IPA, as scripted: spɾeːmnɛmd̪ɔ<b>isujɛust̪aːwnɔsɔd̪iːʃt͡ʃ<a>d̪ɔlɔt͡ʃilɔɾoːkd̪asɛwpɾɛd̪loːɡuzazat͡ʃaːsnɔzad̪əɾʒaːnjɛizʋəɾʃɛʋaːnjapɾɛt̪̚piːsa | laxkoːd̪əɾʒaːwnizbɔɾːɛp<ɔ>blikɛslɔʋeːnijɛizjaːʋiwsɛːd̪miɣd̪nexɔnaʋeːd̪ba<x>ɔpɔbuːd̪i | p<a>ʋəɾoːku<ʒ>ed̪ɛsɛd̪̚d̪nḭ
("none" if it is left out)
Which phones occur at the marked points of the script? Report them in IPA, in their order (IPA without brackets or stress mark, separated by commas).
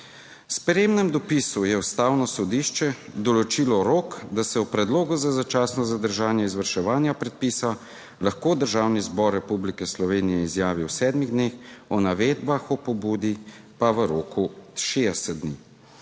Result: p, ɛ, u, x, a, ʃ